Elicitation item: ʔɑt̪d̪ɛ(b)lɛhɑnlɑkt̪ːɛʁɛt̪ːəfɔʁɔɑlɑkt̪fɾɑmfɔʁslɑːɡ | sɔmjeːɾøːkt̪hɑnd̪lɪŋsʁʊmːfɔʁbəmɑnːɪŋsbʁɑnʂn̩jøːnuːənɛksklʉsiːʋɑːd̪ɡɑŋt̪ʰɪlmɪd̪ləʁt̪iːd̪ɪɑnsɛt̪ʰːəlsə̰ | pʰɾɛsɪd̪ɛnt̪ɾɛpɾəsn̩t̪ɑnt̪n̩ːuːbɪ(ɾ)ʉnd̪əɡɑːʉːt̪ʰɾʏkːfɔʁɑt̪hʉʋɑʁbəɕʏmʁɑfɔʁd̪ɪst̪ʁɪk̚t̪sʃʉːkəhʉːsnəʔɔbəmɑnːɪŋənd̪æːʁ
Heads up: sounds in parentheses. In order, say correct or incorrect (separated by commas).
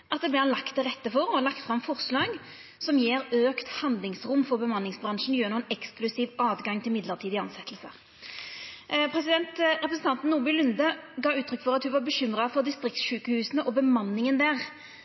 correct, incorrect